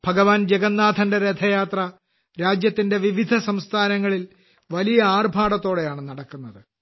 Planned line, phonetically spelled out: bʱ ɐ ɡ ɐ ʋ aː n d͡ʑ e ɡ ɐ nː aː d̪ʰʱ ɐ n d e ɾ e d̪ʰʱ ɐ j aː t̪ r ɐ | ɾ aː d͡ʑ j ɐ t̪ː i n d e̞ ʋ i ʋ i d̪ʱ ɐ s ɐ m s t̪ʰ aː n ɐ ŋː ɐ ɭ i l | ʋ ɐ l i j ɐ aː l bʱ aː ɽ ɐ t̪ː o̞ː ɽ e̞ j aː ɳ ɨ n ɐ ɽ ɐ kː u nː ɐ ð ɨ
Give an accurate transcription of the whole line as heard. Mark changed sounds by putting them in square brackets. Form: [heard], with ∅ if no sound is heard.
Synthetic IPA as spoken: bʱ ɐ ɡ ɐ ʋ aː n d͡ʑ e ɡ ɐ nː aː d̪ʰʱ ɐ n d e ɾ e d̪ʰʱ ɐ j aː t̪ r ɐ | ɾ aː d͡ʑ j ɐ t̪ː i n d e̞ ʋ i ʋ i d̪ʱ ɐ s ɐ m s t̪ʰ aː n ɐ ŋː ɐ ɭ i l | ʋ ɐ l i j ɐ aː [r] bʱ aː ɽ ɐ t̪ː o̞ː ɽ e̞ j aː ɳ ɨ n ɐ ɽ ɐ kː u nː ɐ ð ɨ

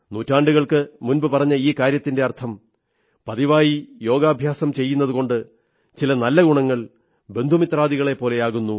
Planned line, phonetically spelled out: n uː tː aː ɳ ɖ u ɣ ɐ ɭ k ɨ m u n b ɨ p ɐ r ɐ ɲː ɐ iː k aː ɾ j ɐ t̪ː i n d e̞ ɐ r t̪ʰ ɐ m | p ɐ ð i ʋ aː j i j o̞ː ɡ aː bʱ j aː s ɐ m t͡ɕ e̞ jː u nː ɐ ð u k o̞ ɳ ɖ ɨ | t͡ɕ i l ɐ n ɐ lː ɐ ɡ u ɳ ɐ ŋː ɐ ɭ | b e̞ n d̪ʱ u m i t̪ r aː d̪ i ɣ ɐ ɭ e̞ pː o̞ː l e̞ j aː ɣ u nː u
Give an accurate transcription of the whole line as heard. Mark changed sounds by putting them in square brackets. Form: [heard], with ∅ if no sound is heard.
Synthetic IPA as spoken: n uː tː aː ɳ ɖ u ɣ ɐ ɭ k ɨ m u n b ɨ p ɐ r ɐ ɲː ɐ iː k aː ɾ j ɐ t̪ː i n d e̞ ɐ r t̪ʰ ɐ m | p ɐ ð i ʋ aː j i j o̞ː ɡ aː bʱ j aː s ɐ m t͡ɕ e̞ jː u nː ɐ ð u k o̞ ɳ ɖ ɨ | t͡ɕ i l ɐ n ɐ lː ɐ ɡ u ɳ ɐ ŋː ɐ ɭ | b e̞ n d̪ʱ u m i t̪ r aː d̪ i ɣ ɐ ɭ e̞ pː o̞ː l e̞ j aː ɣ u nː u

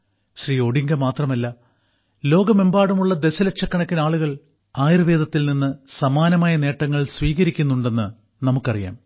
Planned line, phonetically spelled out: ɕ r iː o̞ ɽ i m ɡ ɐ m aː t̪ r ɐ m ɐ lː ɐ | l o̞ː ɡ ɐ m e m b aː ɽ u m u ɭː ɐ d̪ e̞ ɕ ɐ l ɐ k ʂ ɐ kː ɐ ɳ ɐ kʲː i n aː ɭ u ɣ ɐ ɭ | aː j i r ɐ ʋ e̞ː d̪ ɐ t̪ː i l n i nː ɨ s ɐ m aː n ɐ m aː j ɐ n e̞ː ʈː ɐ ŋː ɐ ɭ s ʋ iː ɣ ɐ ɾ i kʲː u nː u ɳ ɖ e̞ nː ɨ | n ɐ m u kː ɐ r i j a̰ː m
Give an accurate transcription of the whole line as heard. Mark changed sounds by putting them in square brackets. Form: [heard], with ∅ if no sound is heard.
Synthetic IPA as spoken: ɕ r iː o̞ ɽ i [ŋ] ɡ ɐ m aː t̪ r ɐ m ɐ lː ɐ | l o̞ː ɡ ɐ m e m b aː ɽ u m u ɭː ɐ d̪ e̞ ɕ ɐ l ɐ k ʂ ɐ kː ɐ ɳ ɐ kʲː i n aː ɭ u ɣ ɐ ɭ | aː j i r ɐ ʋ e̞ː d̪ ɐ t̪ː i l n i nː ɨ s ɐ m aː n ɐ m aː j ɐ n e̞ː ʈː ɐ ŋː ɐ ɭ s ʋ iː ɣ ɐ ɾ i kʲː u nː u ɳ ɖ e̞ nː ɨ | n ɐ m u kː ɐ r i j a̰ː m

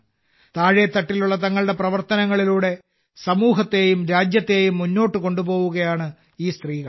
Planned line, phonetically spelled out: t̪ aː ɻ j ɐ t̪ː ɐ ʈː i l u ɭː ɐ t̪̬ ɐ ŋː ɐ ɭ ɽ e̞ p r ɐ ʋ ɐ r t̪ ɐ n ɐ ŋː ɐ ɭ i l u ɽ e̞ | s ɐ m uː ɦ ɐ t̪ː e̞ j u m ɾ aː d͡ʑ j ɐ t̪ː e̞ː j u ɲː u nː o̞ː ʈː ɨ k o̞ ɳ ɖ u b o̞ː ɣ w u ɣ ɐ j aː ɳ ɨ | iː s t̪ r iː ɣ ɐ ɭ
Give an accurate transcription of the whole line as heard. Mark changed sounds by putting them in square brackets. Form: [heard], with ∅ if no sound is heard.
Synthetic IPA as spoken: t̪ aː ɻ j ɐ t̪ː ɐ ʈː i l u ɭː ɐ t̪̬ ɐ ŋː ɐ ɭ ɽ e̞ p r ɐ ʋ ɐ r t̪ ɐ n ɐ ŋː ɐ ɭ i l [uː] ɽ e̞ | s ɐ m uː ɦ ɐ t̪ː e̞ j u m ɾ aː d͡ʑ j ɐ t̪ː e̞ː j u [mː] u nː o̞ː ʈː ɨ k o̞ ɳ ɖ u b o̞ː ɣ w u ɣ ɐ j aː ɳ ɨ | iː s t̪ r iː ɣ ɐ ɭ

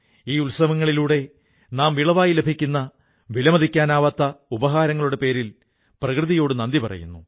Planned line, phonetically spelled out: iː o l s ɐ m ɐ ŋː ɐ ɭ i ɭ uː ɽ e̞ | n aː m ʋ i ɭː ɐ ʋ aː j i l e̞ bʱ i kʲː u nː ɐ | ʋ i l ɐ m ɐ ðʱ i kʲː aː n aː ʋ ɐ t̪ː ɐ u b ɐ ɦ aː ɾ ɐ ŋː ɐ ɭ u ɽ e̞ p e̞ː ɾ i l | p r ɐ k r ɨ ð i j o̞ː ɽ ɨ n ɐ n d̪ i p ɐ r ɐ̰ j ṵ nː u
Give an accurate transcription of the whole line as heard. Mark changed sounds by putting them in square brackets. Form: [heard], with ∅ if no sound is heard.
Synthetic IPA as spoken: iː [u] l s ɐ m ɐ ŋː ɐ ɭ i [l] uː ɽ e̞ | n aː m ʋ i [ɭ] ɐ ʋ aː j i l e̞ bʱ i kʲː u nː ɐ | ʋ i l ɐ m ɐ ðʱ i kʲː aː n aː ʋ ɐ t̪ː ɐ u b ɐ ɦ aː ɾ ɐ ŋː ɐ ɭ u ɽ e̞ p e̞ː ɾ i l | p r ɐ k r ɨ ð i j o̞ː ɽ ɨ n ɐ n d̪ i p ɐ r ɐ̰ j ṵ nː u

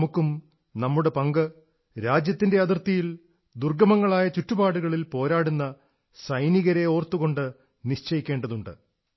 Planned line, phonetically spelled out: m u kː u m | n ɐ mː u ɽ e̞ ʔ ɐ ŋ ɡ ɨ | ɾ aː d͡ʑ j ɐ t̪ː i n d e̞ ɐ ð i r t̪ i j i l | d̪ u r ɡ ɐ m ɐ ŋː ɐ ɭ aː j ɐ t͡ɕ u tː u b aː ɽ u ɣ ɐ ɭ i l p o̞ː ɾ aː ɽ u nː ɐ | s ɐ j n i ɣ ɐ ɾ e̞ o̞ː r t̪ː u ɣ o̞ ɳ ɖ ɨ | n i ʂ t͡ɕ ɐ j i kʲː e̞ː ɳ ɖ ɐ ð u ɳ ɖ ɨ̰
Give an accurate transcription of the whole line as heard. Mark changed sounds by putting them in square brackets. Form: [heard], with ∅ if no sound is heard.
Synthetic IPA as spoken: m u kː u m | n ɐ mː u ɽ e̞ [p] ɐ ŋ ɡ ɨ | ɾ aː d͡ʑ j ɐ t̪ː i n d e̞ ɐ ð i r t̪ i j i l | d̪ u r ɡ ɐ m ɐ ŋː ɐ ɭ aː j ɐ t͡ɕ u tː u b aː ɽ u ɣ ɐ ɭ i l p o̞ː ɾ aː ɽ u nː ɐ | s ɐ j n i ɣ ɐ ɾ e̞ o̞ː r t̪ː u ɣ o̞ ɳ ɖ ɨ | n i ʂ t͡ɕ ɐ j i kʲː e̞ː ɳ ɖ ɐ ð u ɳ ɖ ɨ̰

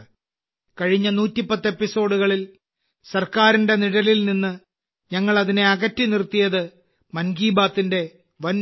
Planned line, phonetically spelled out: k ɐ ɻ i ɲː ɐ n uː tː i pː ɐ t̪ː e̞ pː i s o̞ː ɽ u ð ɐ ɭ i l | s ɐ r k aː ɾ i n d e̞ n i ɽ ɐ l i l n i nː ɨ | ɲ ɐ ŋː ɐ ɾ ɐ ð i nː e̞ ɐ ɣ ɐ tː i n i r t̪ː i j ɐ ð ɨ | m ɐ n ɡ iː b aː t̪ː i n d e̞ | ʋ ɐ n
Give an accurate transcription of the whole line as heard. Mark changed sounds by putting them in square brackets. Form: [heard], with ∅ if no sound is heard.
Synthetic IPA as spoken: k ɐ ɻ i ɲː ɐ n uː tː i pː ɐ t̪ː e̞ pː i s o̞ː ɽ u [ɣ] ɐ ɭ i l | s ɐ r k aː ɾ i n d e̞ n i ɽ ɐ l i l n i nː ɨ | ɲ ɐ ŋː ɐ [ɭ] ɐ ð i [n] e̞ ɐ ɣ ɐ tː i n i r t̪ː i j ɐ ð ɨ | m ɐ n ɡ iː b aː t̪ː i n d e̞ | ʋ ɐ n

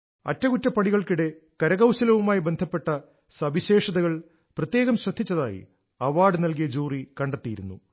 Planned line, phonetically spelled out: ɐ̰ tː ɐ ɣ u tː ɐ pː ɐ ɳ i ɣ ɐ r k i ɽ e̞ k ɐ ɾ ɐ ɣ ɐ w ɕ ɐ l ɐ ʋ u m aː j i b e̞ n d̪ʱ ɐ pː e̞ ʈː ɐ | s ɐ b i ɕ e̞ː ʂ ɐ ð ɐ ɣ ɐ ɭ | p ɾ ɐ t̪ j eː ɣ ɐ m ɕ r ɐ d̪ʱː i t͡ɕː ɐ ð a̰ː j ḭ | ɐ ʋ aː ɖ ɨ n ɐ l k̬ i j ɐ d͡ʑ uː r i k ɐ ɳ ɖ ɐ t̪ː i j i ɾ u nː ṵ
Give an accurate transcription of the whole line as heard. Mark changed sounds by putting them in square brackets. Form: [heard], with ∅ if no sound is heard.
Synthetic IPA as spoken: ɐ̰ tː ɐ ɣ u tː ɐ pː ɐ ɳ i ɣ ɐ [ɭ] k i ɽ e̞ k ɐ ɾ ɐ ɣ ɐ w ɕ ɐ l ɐ ʋ u m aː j i b e̞ n d̪ʱ ɐ pː e̞ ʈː ɐ | s ɐ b i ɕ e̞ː ʂ ɐ ð ɐ ɣ ɐ ɭ | p [r] ɐ t̪ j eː ɣ ɐ m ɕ r ɐ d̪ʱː i t͡ɕː ɐ ð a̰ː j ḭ | ɐ ʋ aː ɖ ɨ n ɐ l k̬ i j ɐ d͡ʑ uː r i k ɐ ɳ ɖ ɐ t̪ː i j i ɾ u nː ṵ

